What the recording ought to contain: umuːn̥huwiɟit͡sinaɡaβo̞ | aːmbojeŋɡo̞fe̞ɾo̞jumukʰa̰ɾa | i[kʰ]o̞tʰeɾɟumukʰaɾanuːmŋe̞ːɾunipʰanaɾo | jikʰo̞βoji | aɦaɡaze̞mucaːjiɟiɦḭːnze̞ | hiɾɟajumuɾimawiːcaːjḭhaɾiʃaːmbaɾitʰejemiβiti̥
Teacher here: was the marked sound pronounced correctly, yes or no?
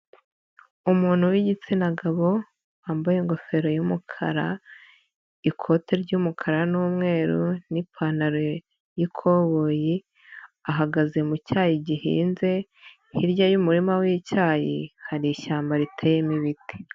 yes